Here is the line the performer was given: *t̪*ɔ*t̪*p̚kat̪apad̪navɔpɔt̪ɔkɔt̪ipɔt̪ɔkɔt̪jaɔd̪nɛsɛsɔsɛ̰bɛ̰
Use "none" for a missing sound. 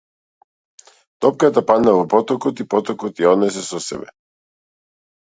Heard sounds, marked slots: t̪, none

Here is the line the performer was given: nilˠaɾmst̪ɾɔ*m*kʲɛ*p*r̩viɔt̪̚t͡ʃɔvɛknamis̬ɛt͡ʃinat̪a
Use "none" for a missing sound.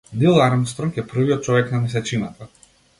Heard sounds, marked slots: m, p

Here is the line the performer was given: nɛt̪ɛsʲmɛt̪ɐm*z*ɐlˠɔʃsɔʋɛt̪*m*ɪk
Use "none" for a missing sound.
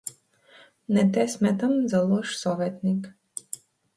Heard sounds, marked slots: z, n

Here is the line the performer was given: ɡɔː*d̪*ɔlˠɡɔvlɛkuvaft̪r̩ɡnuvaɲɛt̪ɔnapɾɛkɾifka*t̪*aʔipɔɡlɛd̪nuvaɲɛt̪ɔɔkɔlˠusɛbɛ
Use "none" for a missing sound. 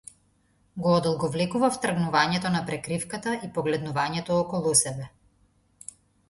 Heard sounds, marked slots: d̪, t̪

